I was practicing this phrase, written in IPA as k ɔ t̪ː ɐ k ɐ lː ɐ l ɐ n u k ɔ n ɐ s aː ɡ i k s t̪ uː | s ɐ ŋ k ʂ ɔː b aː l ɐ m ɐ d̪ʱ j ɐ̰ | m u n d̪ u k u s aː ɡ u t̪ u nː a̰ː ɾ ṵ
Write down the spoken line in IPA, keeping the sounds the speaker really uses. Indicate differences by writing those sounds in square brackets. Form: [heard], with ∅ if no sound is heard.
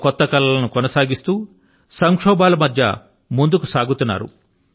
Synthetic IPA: k ɔ t̪ː ɐ k ɐ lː ɐ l ɐ n u k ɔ n ɐ s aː ɡ i [∅] s t̪ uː | s ɐ ŋ k ʂ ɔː b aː l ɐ m ɐ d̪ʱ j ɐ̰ | m u n d̪ u k u s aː ɡ u t̪ u nː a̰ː ɾ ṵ